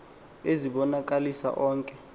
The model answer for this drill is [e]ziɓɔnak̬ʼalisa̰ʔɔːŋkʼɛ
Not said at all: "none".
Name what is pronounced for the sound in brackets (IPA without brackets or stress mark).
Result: e